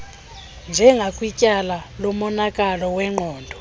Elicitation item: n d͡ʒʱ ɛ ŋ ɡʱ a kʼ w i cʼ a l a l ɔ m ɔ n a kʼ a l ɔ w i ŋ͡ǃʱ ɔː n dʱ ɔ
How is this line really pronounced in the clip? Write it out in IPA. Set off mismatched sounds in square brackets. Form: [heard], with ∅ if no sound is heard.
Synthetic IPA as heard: n d͡ʒʱ ɛ ŋ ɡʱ a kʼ w i cʼ a l a l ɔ m ɔ n a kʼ a l ɔ w [ɛ] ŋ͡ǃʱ ɔː n dʱ ɔ